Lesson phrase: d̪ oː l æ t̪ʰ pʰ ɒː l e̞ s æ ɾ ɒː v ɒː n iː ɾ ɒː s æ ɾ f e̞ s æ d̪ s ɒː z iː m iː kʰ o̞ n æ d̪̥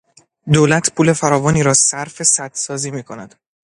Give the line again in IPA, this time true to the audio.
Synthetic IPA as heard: d̪ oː l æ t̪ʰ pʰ uː l e̞ f æ ɾ ɒː v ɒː n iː ɾ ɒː s æ ɾ f e̞ s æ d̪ s ɒː z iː m iː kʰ o̞ n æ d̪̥

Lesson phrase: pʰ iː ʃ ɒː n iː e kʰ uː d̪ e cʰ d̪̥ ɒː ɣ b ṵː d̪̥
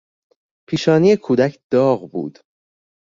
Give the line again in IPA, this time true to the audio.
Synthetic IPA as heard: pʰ iː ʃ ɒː n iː e kʰ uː d̪ æ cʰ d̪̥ ɒː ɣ b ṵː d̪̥

